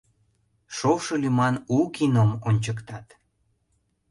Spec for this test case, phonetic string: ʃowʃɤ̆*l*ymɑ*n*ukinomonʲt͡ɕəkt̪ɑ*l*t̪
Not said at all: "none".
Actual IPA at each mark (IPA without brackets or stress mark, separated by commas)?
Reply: l, n, none